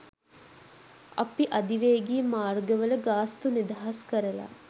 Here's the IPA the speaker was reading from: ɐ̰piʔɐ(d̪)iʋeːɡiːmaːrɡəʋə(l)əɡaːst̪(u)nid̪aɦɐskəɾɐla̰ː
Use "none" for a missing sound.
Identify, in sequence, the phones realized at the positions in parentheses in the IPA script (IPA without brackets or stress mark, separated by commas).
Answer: d̪, l, u